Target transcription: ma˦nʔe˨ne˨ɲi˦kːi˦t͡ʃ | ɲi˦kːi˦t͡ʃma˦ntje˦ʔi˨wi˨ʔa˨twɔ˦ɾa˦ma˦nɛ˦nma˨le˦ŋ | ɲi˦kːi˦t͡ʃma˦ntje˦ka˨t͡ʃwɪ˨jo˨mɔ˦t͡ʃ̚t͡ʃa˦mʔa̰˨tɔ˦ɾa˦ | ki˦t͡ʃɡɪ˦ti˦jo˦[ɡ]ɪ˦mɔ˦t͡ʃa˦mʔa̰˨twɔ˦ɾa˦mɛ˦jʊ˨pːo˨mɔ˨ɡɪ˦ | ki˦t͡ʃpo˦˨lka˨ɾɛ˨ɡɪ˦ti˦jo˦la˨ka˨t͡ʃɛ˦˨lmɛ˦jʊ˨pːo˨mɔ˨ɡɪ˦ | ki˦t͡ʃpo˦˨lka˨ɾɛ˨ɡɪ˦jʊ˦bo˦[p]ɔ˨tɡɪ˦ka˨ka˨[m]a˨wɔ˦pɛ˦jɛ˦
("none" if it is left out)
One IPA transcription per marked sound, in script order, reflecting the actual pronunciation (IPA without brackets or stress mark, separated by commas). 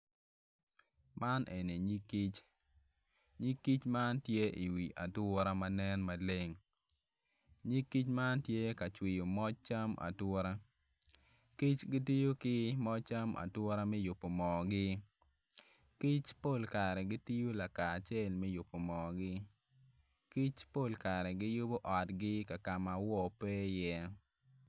k, ʔ, m